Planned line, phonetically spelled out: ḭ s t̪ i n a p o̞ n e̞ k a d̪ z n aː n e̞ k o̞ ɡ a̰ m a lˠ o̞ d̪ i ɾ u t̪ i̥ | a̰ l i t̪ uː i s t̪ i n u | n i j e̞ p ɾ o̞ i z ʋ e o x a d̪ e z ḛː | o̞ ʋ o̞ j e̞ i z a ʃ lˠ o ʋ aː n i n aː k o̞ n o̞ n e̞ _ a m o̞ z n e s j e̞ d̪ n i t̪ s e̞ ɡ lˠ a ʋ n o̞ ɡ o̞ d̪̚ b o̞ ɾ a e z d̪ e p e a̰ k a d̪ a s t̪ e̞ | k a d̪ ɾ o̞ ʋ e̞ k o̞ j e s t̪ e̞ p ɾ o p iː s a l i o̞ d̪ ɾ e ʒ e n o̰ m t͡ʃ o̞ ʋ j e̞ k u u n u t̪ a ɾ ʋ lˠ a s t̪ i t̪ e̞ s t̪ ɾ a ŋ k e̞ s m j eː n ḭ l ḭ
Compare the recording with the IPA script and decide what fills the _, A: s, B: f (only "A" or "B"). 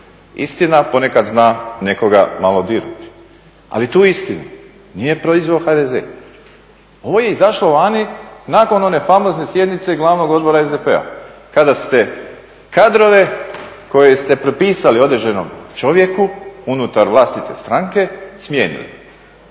B